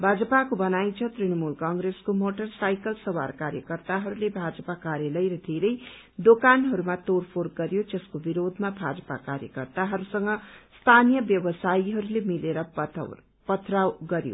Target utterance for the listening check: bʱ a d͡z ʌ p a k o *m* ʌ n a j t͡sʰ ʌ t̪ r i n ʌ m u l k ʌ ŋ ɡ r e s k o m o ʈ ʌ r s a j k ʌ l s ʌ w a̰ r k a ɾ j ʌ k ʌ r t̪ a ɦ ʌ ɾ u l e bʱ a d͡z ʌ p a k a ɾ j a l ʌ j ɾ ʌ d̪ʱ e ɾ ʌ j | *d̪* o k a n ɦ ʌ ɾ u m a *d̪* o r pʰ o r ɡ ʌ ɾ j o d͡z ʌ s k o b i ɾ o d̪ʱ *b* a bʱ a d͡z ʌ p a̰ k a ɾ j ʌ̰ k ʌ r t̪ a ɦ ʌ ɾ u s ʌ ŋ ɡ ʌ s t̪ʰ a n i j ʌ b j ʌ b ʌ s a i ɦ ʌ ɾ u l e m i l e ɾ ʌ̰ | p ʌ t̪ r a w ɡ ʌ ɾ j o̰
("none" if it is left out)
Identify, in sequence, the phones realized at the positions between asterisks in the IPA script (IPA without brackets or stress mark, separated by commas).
b, d̪, t̪, m